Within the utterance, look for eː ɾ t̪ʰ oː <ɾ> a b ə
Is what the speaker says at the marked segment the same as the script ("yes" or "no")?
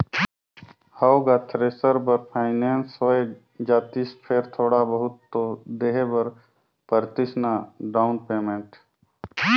no